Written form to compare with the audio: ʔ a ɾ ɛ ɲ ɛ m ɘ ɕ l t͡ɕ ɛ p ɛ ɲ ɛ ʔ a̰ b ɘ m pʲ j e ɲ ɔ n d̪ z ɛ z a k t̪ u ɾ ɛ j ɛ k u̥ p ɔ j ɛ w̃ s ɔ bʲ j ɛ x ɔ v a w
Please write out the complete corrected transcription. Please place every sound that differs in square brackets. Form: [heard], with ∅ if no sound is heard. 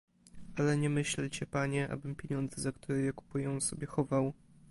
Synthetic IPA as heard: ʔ a [l] ɛ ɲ ɛ m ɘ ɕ l t͡ɕ ɛ p [a] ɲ ɛ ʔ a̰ b ɘ m pʲ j e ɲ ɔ n d̪ z ɛ z a k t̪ u ɾ ɛ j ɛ k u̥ p [u] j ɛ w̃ s ɔ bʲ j ɛ x ɔ v a w